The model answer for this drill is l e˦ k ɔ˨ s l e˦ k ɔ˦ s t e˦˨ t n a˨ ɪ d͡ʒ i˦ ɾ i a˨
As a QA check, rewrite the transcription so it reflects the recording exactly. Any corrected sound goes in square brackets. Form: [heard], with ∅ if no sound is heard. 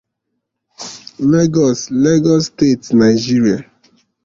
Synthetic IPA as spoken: l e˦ [ɡ] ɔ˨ s l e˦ [ɡ] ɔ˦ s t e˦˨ t n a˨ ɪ d͡ʒ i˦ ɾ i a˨